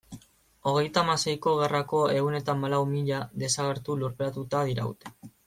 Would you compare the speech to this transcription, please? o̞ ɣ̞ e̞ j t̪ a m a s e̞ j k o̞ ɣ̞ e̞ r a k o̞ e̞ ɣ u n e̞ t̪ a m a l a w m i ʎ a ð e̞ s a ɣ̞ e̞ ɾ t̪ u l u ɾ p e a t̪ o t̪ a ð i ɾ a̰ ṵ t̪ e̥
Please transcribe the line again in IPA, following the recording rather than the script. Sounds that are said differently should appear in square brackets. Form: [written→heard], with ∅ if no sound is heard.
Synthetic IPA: o̞ ɣ̞ e̞ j t̪ a m a s e̞ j k o̞ ɣ̞ e̞ r a k o̞ e̞ ɣ u n e̞ t̪ a m a l a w m i ʎ a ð e̞ s a ɣ̞ e̞ ɾ t̪ u l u ɾ p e a t̪ [o→u] t̪ a ð i ɾ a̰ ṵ t̪ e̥